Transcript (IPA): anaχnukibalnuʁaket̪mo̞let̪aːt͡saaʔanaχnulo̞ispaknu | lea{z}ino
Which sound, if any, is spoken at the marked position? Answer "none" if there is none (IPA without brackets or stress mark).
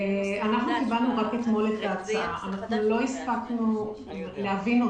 v